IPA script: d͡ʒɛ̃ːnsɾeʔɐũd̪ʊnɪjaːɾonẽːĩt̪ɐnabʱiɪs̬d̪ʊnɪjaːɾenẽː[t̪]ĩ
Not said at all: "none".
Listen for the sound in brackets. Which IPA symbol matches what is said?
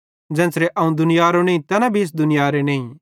none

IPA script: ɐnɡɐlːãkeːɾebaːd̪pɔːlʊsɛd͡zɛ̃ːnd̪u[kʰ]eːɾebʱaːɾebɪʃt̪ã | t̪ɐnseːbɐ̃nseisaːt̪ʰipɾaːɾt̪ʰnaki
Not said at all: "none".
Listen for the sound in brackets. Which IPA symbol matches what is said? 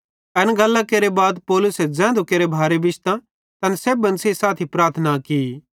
k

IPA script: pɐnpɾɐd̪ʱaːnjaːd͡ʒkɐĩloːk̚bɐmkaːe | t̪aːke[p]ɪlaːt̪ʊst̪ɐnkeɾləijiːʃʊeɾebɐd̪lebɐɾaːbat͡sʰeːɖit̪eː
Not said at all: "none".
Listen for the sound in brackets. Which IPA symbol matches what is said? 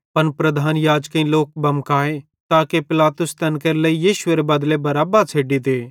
p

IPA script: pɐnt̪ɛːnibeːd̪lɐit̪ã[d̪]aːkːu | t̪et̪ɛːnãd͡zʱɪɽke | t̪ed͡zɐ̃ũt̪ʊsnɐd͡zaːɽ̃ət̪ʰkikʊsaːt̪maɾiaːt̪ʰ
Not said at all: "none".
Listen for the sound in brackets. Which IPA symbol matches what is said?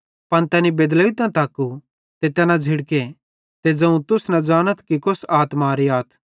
t̪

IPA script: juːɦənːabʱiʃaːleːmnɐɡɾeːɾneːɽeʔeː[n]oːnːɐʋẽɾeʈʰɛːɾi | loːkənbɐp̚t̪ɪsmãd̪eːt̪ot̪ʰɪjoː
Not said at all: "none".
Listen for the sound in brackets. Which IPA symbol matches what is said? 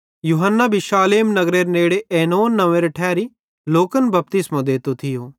n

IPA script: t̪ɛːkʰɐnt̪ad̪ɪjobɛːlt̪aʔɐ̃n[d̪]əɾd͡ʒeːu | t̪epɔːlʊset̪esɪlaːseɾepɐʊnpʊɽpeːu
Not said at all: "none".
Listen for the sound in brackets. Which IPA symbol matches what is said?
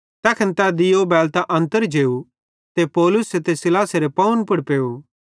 t̪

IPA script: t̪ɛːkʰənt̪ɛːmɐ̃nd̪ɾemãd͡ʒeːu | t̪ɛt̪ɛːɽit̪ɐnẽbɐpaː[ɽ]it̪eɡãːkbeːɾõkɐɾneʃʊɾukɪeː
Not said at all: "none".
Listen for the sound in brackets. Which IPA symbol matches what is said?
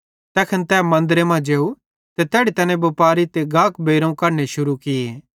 ɾ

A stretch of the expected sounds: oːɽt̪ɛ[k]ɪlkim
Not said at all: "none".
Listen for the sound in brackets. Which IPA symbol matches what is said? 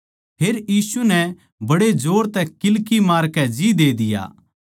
k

